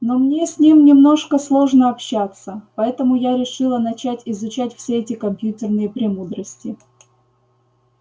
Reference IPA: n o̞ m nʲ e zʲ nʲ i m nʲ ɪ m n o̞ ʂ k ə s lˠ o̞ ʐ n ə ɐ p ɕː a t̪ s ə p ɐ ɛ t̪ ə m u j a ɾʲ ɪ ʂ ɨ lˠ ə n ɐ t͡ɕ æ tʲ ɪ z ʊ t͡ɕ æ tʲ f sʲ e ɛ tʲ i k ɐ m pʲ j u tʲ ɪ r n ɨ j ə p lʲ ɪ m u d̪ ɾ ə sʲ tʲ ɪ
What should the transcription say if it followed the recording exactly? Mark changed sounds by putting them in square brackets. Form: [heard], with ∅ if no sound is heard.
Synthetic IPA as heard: n o̞ m nʲ e [sʲ] nʲ i m nʲ ɪ m n o̞ ʂ k ə s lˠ o̞ ʐ n ə ɐ p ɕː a t̪ s ə p ɐ ɛ t̪ ə m [ʊ] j a ɾʲ ɪ ʂ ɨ lˠ ə n ɐ t͡ɕ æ tʲ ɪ z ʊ t͡ɕ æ tʲ f sʲ e ɛ tʲ [ɪ] k ɐ m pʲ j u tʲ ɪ r n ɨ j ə p [ɾʲ] ɪ m u d̪ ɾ ə sʲ tʲ ɪ

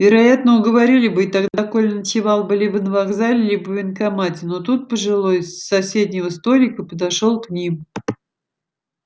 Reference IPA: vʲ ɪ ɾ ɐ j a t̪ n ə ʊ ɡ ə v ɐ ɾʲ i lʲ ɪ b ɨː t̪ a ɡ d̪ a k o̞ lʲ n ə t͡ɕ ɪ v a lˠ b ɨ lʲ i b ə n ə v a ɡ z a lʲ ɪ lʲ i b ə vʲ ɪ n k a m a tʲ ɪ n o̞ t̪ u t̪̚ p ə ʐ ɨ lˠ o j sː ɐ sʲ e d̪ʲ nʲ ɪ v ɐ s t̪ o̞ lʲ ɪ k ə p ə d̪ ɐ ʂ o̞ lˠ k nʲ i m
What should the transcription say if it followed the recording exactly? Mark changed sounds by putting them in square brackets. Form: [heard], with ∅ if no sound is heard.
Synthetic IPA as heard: vʲ ɪ ɾ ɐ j a t̪ n ə ʊ ɡ ə v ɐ ɾʲ i lʲ ɪ b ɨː t̪ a ɡ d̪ a k o̞ lʲ n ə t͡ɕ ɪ v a lˠ b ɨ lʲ i b ə n ə v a ɡ z a lʲ ɪ lʲ i b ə vʲ ɪ n k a m a tʲ ɪ n o̞ t̪ u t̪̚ p ə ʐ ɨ lˠ o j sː ɐ sʲ e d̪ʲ nʲ ɪ v [ə] s t̪ o̞ lʲ ɪ k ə p ə d̪ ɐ ʂ o̞ lˠ k nʲ i m

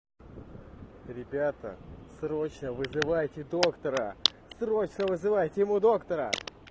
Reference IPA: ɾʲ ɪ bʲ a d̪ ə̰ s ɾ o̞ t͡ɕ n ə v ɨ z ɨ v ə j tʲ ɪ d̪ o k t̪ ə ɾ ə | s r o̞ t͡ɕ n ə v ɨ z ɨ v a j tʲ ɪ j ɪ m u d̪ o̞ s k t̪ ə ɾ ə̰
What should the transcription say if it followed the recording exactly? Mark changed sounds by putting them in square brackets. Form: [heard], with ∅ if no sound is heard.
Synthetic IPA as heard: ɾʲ ɪ bʲ a [t̪] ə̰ s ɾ o̞ t͡ɕ n ə v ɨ z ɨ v [a] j tʲ ɪ d̪ o k t̪ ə ɾ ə | s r o̞ t͡ɕ n ə v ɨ z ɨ v a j tʲ ɪ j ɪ m u d̪ o̞ [∅] k t̪ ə ɾ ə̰

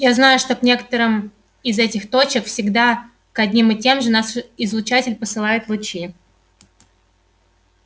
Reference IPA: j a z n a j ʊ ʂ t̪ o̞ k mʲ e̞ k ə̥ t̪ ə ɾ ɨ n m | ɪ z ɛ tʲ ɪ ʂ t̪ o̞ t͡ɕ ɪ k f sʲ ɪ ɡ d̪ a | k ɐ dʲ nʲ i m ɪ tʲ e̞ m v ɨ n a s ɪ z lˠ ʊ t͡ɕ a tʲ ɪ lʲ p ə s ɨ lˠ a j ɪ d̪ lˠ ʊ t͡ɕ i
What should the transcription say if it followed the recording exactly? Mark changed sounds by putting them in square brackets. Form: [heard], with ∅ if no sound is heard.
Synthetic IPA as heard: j a z n a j ʊ ʂ t̪ o̞ k [nʲ] e̞ k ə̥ t̪ ə ɾ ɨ [∅] m | ɪ z ɛ tʲ ɪ [x] t̪ o̞ t͡ɕ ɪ k f sʲ ɪ ɡ d̪ a | k ɐ dʲ nʲ i m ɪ tʲ e̞ m [ʐ] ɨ n a s ɪ z lˠ ʊ t͡ɕ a tʲ ɪ lʲ p ə s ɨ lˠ a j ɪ [t̪] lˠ ʊ t͡ɕ i

